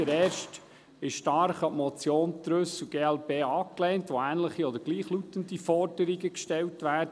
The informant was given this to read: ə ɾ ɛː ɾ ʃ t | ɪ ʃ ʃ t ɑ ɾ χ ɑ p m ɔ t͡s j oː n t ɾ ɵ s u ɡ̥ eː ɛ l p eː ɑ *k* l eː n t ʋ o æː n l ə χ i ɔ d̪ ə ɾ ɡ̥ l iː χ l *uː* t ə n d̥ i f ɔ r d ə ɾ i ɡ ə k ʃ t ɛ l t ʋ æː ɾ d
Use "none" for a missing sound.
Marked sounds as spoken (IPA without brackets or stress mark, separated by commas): k, u